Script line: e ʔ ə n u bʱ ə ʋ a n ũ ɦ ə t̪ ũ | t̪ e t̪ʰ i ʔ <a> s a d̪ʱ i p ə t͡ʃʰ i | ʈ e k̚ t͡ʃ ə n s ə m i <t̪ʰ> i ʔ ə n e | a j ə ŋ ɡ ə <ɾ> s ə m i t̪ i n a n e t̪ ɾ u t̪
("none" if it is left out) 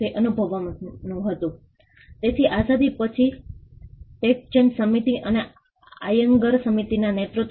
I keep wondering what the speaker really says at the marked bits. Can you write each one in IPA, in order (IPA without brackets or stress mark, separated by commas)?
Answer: a, t̪, ɾ